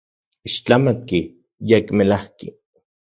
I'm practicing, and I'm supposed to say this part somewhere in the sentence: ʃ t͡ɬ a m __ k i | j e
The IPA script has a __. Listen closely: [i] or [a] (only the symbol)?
a